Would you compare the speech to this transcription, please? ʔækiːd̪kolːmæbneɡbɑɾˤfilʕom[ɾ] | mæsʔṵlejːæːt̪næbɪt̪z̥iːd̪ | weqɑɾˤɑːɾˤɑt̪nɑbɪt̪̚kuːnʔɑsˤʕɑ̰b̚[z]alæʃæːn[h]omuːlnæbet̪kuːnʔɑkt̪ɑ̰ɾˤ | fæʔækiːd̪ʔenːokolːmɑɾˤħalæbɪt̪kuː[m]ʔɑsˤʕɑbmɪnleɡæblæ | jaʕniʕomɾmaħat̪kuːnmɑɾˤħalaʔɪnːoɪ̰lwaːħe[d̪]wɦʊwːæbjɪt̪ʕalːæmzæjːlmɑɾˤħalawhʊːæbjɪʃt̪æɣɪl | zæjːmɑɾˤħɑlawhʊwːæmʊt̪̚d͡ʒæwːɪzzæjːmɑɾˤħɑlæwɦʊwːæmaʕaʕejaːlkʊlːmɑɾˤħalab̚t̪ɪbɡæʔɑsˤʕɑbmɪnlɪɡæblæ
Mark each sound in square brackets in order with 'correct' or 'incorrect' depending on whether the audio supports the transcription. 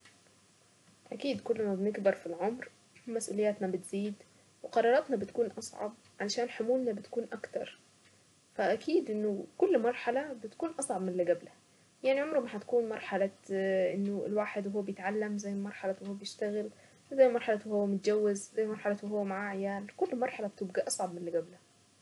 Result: correct, incorrect: ʕ, incorrect: ħ, incorrect: n, correct

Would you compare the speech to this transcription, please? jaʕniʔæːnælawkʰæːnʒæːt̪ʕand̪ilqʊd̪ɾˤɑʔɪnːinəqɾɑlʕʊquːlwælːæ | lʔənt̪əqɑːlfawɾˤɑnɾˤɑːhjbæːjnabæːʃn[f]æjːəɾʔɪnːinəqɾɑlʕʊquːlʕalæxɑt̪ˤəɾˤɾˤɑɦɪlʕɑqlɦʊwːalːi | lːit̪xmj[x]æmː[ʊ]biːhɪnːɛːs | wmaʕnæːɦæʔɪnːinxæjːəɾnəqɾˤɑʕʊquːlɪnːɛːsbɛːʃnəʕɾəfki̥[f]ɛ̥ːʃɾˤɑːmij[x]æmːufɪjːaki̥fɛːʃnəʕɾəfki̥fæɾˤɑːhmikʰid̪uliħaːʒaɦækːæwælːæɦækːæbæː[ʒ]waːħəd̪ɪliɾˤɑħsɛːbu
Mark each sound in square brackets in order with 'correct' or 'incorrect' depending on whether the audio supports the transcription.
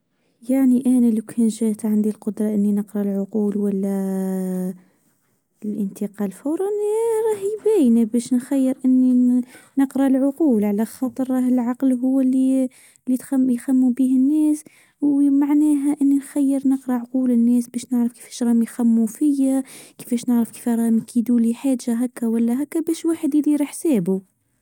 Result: incorrect: x, correct, incorrect: u, correct, correct, incorrect: ʃ

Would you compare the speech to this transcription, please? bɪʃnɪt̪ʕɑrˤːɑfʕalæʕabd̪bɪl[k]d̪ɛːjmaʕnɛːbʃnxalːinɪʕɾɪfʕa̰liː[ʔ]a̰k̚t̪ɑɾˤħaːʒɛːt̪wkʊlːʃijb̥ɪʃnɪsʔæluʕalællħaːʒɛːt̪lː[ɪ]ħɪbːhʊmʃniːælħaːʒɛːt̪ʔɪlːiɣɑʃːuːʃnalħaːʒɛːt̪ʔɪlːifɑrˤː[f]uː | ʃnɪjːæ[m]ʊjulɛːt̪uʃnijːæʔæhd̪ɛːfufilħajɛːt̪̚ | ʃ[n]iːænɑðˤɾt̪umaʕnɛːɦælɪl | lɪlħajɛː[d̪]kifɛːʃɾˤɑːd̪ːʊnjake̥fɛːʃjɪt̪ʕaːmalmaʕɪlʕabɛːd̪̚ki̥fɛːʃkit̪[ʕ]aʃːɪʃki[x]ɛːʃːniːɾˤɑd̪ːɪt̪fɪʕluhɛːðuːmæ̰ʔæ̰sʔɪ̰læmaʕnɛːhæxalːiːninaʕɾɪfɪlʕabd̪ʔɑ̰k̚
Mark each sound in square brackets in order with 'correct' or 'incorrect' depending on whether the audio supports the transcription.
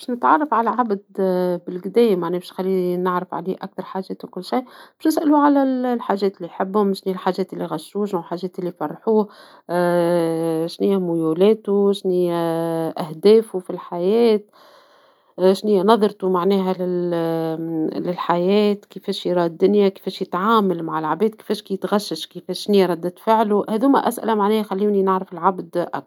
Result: incorrect: ɡ, correct, incorrect: i, incorrect: ħ, correct, correct, incorrect: t̪, incorrect: ɣ, incorrect: f

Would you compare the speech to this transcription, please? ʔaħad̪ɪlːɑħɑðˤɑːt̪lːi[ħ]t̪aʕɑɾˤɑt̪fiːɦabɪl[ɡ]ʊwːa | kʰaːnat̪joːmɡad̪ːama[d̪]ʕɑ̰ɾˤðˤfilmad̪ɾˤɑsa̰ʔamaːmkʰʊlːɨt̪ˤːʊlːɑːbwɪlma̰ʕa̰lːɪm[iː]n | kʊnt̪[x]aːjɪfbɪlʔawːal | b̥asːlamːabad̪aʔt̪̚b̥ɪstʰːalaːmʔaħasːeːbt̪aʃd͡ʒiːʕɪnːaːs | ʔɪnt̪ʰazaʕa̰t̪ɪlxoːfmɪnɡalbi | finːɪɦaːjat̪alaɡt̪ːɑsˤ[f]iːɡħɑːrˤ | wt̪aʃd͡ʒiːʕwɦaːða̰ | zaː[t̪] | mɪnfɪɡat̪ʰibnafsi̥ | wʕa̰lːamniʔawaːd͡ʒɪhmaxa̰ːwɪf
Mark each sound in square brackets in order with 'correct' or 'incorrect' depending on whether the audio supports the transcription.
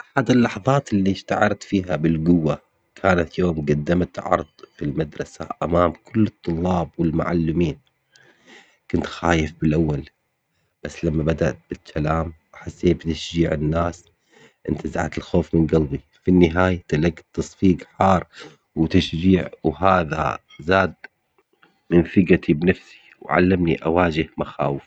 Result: incorrect: ʃ, correct, incorrect: t̪, correct, correct, correct, incorrect: d̪

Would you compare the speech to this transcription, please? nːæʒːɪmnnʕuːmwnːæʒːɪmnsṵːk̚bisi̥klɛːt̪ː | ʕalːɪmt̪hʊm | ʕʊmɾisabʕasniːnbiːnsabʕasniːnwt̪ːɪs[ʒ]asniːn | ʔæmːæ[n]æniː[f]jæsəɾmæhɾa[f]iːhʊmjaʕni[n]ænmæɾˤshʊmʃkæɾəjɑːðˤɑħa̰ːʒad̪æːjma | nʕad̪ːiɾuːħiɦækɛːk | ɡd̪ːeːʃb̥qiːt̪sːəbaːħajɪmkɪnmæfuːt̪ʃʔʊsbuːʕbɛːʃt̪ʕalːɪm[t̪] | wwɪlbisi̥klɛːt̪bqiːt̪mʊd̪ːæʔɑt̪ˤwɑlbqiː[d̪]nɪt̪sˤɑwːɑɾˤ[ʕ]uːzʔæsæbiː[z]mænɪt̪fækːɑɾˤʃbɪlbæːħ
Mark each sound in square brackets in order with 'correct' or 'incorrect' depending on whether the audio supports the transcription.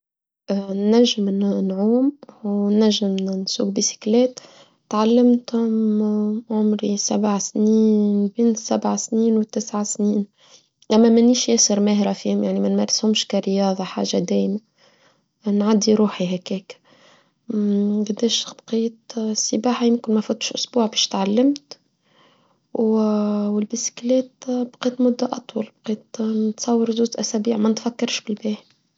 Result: incorrect: ʕ, incorrect: m, incorrect: ʃ, correct, incorrect: m, correct, incorrect: t̪, incorrect: z, incorrect: ʕ

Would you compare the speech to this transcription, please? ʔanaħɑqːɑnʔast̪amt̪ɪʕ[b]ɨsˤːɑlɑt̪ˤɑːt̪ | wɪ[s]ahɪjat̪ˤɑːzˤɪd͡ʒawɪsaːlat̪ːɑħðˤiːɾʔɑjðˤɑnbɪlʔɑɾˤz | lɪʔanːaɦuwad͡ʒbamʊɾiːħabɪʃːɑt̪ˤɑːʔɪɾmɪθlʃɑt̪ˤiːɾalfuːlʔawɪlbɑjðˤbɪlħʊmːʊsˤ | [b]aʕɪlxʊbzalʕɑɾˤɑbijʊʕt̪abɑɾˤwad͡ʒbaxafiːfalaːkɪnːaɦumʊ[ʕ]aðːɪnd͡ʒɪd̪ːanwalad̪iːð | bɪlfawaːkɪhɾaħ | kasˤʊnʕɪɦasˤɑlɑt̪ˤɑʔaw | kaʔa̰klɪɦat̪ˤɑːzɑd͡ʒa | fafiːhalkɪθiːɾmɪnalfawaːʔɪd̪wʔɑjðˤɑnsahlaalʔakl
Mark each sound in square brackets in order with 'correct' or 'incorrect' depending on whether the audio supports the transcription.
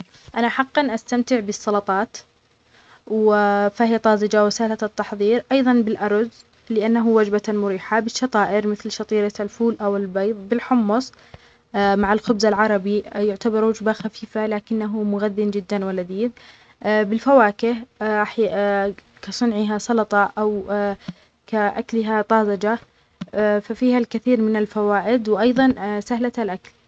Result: correct, incorrect: f, incorrect: m, incorrect: ɣ

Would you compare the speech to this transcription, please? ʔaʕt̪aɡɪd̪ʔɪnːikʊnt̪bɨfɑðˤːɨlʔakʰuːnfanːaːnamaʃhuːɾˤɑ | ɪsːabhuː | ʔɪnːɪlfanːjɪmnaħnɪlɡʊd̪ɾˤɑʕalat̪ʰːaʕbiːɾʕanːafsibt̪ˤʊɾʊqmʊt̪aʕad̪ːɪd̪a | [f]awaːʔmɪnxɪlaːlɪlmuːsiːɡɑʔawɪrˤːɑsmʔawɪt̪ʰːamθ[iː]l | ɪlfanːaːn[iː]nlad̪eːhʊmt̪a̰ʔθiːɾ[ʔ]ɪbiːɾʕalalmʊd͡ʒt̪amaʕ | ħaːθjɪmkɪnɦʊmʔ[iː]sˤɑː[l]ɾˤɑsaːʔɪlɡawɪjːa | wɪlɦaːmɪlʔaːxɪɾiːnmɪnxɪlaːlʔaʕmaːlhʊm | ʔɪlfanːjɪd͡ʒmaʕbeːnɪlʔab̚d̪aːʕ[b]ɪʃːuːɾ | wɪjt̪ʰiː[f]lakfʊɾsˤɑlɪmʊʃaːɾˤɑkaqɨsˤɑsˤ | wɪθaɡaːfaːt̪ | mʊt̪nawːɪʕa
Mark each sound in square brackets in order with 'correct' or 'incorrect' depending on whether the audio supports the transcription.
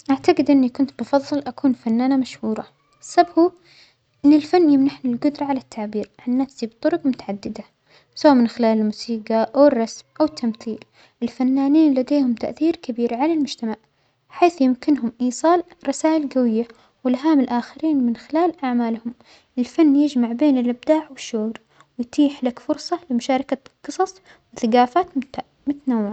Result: incorrect: s, correct, correct, incorrect: k, correct, correct, incorrect: w, incorrect: ħ

